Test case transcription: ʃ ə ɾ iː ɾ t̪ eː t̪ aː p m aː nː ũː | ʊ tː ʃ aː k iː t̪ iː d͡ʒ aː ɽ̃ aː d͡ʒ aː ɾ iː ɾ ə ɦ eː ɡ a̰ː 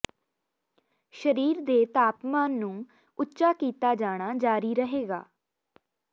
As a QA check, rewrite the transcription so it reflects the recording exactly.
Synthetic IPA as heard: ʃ ə ɾ iː ɾ d̪ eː t̪ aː p m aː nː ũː | ʊ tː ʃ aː k iː t̪ aː d͡ʒ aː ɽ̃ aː d͡ʒ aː ɾ iː ɾ ə ɦ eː ɡ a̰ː